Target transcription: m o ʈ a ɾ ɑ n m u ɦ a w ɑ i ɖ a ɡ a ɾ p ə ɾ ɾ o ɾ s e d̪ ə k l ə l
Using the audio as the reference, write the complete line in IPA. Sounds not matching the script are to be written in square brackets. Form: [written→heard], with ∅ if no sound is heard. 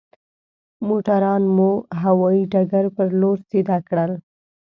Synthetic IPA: m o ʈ a ɾ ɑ n m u ɦ a w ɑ i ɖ a ɡ a ɾ p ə ɾ [ɾ→l] o ɾ s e d̪ [ə→ɑ] k [l→ɽ] ə l